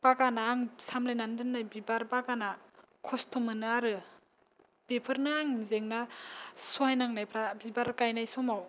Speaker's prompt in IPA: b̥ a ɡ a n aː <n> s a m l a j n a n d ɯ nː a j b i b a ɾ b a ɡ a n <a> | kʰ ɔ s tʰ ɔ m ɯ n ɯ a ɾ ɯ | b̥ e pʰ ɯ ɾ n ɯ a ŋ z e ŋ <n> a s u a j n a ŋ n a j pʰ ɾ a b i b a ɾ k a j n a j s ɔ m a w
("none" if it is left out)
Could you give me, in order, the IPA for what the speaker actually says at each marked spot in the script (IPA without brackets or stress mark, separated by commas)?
ŋ, a, n